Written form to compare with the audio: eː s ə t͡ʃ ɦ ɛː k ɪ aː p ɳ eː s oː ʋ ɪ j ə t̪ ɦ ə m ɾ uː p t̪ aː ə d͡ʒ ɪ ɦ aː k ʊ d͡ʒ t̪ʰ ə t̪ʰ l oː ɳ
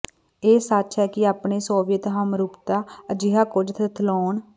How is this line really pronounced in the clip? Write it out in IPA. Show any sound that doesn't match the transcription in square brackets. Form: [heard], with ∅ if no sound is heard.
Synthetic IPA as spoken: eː s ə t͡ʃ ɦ ɛː k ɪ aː p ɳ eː s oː ʋ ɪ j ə t̪ ɦ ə m ɾ uː p t̪ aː ə d͡ʒ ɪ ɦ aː k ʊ d͡ʒ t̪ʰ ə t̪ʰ l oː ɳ